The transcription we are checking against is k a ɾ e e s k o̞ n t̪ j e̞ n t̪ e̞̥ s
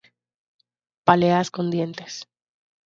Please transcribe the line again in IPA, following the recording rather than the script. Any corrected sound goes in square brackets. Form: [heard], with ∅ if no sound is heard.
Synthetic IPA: [p] a [l] e [a] s k o̞ n [d̪] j e̞ n t̪ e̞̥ s